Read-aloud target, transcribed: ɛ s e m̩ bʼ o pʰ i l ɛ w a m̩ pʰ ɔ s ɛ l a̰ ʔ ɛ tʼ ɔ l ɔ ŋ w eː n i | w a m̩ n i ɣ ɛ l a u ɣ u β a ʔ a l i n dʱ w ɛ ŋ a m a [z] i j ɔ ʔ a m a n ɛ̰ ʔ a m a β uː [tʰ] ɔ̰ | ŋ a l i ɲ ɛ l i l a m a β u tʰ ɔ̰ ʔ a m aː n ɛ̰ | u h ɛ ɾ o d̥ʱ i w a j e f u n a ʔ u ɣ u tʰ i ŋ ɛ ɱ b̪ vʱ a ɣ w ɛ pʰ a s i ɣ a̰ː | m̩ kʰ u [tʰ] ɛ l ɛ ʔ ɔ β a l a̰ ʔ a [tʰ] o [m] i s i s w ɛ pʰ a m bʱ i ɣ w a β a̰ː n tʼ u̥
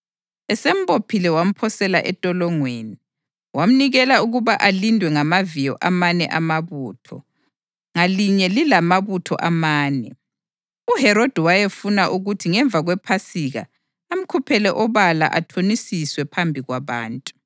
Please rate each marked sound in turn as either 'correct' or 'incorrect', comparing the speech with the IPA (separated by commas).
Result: incorrect, correct, incorrect, correct, incorrect